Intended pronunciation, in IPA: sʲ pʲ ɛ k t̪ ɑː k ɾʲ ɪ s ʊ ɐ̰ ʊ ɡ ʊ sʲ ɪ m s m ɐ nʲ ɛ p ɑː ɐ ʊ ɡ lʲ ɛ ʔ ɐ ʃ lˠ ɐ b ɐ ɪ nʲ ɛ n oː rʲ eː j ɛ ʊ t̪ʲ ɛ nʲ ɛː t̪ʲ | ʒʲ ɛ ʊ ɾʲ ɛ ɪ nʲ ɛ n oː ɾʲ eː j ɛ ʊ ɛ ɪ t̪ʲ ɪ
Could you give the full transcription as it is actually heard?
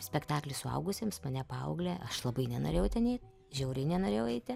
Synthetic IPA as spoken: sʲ pʲ ɛ k t̪ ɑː k lʲ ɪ s ʊ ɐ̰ ʊ ɡ ʊ sʲ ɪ m s m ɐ nʲ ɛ p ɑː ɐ ʊ ɡ lʲ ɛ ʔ ɐ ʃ lˠ ɐ b ɐ ɪ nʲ ɛ n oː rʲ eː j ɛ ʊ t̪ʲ ɛ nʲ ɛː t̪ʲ | ʒʲ ɛ ʊ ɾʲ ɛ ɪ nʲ ɛ n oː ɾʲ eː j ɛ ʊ ɛ ɪ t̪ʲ ɪ